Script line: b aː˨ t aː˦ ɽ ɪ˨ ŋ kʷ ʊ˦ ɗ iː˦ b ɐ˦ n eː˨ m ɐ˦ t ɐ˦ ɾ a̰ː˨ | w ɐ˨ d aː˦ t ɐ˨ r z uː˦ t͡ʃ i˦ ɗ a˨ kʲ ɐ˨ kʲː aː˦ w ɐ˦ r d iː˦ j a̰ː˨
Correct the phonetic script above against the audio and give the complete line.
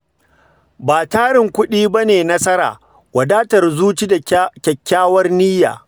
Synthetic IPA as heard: b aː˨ t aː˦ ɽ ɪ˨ ŋ kʷ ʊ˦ ɗ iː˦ b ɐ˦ n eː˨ n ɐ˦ s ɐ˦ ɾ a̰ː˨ | w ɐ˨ d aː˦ t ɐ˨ r z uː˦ t͡ʃ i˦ d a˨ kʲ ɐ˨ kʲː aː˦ w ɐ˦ r n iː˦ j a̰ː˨